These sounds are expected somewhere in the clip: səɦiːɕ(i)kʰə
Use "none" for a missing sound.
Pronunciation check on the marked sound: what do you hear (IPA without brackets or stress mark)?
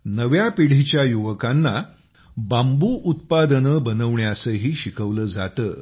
i